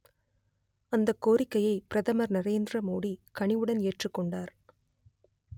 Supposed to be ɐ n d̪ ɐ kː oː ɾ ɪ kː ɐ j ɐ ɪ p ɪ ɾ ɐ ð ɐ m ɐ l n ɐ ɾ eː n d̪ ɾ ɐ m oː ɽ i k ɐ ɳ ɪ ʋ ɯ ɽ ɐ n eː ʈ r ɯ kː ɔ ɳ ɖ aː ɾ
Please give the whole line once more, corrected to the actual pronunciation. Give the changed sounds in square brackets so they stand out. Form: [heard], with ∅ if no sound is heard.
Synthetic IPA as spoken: ɐ n d̪ ɐ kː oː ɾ ɪ kː ɐ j ɐ ɪ p ɪ ɾ ɐ ð ɐ m ɐ [ɾ] n ɐ ɾ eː n d̪ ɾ ɐ m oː ɽ i k ɐ ɳ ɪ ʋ ɯ ɽ ɐ n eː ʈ r ɯ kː ɔ ɳ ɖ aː ɾ